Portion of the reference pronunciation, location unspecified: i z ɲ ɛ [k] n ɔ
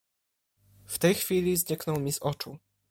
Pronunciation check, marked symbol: correct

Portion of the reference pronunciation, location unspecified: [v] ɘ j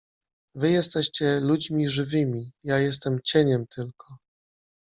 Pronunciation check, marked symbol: correct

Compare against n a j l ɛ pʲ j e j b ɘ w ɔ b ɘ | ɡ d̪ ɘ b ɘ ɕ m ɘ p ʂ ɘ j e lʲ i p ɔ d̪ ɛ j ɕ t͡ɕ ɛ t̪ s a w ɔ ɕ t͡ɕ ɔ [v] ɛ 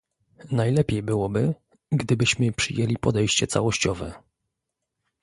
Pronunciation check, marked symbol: correct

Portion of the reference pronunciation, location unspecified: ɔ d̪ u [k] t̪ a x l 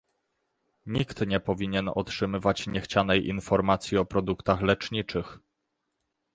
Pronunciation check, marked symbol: correct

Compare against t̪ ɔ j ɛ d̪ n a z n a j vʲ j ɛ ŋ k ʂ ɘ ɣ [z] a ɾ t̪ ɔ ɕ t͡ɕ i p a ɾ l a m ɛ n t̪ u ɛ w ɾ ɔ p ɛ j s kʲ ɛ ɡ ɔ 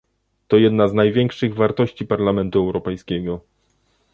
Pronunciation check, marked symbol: incorrect: v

